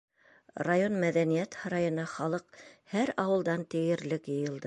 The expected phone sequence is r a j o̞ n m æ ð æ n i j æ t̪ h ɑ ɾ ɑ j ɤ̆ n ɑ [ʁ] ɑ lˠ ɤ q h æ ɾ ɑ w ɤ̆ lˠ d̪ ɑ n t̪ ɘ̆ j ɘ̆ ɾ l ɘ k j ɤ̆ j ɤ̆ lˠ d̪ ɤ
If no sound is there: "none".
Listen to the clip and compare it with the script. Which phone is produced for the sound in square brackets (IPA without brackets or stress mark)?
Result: χ